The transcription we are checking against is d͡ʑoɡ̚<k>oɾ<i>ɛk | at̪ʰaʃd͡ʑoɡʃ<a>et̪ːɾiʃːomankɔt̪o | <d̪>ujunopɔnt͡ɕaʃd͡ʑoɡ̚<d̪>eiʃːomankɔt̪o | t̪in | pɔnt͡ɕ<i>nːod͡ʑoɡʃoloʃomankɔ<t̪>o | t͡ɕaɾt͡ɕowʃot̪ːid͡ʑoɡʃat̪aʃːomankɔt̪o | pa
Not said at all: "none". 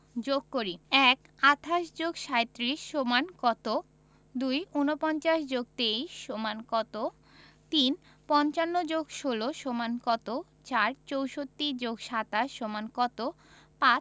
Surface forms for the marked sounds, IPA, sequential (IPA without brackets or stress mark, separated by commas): k, i, a, d̪, t̪, a, t̪